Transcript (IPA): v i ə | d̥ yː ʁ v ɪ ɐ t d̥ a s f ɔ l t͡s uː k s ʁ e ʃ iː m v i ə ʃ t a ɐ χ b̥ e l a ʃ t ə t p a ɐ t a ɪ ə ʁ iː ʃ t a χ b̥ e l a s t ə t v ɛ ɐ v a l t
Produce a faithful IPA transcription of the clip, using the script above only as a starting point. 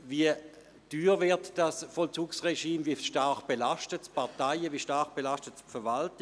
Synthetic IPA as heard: v i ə | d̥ yː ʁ v ɪ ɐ t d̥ a s f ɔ l t͡s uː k s ʁ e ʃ iː m v i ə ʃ t a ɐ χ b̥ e l a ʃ t ə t p a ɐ t a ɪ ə v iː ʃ t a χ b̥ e l a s t ə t f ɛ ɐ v a l t